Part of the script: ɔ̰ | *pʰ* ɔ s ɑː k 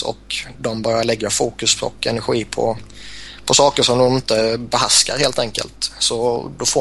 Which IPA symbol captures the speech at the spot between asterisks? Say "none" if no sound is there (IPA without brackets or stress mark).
pʰ